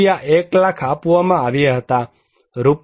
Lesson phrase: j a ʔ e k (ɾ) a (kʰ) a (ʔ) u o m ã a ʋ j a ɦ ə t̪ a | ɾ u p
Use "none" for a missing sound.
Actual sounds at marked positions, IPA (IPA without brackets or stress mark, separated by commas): l, kʰ, p